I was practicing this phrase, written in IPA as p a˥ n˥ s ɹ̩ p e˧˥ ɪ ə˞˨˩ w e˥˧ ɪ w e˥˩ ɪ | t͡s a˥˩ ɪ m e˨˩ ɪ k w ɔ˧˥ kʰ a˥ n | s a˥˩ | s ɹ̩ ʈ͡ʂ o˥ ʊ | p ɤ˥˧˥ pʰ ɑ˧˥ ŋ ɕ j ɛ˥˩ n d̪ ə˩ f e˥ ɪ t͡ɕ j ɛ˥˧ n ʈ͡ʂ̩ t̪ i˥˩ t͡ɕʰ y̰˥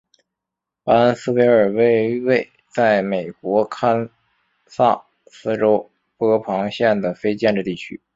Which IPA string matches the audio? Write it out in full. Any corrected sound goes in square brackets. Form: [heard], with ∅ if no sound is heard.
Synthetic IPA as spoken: p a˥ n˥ s ɹ̩ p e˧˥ ɪ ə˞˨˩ w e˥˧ ɪ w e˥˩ ɪ | t͡s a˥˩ ɪ m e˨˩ ɪ k w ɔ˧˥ kʰ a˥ n | s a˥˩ | s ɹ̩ ʈ͡ʂ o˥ ʊ | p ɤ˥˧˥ pʰ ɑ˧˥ ŋ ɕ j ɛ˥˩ n d̪ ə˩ f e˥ ɪ t͡ɕ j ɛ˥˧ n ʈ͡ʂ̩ t̪ i˥˩ t͡ɕʰ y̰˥